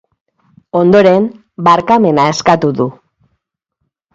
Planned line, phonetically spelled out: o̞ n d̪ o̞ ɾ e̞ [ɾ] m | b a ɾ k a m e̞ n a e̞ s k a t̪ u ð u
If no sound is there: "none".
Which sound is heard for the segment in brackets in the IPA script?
none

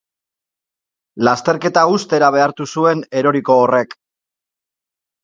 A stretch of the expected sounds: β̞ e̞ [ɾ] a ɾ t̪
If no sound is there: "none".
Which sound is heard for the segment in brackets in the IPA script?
none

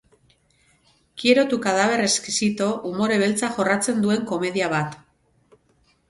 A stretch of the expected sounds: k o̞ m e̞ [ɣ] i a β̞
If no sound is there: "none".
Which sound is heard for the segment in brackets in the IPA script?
ð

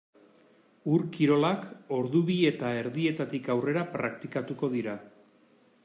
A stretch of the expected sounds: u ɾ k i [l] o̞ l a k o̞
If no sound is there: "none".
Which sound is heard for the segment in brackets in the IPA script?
ɾ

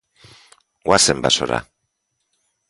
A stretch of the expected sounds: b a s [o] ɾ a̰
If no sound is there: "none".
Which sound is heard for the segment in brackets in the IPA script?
o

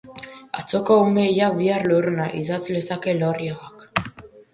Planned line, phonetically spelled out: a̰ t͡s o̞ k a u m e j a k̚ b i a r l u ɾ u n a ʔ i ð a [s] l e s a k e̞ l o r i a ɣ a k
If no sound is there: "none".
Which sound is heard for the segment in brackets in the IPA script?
t͡s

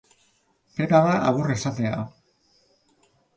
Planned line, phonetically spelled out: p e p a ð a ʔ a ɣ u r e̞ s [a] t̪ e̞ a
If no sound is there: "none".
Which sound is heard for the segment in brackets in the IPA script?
a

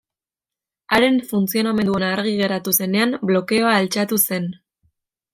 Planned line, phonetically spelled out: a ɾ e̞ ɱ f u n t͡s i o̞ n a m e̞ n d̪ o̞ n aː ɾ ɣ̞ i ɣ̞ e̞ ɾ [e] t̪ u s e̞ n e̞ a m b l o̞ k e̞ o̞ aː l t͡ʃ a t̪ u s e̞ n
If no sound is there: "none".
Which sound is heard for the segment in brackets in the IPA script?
a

